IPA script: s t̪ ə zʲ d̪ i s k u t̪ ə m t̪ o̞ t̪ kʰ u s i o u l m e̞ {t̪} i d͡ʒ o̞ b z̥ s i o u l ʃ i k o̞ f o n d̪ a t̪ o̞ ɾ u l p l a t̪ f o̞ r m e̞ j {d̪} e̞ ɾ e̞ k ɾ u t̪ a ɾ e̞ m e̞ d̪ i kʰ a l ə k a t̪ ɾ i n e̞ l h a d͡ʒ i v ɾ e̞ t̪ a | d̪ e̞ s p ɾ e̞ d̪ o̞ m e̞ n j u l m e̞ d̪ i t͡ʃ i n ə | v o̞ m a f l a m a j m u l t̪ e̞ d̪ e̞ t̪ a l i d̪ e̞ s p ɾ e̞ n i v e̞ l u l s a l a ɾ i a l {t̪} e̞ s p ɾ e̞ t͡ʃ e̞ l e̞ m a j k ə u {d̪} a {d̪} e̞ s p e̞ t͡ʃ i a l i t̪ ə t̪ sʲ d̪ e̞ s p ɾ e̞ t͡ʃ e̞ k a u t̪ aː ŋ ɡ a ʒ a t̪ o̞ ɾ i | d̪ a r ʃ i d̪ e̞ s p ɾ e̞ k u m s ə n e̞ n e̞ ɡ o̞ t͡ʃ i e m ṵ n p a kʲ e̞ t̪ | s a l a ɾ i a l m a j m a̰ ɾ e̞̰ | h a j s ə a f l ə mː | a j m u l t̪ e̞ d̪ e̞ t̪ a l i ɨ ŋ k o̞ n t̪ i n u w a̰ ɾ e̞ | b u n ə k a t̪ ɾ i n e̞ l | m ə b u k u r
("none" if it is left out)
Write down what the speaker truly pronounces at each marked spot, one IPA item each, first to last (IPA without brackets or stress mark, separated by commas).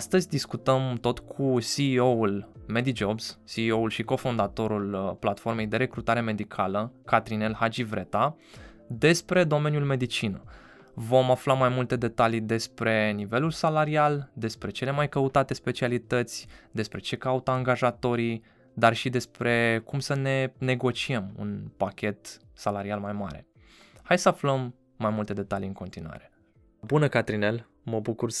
d̪, d̪, d̪, t̪, t̪